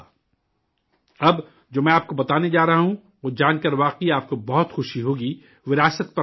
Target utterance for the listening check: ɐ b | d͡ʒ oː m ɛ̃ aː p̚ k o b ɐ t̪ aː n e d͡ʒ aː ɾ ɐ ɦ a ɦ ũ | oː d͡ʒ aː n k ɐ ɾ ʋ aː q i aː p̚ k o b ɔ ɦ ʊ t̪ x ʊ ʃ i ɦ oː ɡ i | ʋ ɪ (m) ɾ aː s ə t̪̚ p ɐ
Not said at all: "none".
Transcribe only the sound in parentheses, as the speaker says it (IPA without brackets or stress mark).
none